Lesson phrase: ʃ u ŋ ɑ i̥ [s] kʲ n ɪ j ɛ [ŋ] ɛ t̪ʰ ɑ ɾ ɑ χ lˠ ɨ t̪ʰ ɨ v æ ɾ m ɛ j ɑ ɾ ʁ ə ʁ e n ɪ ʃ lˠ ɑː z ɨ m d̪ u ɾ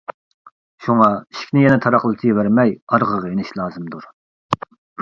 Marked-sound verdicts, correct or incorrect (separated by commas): incorrect, incorrect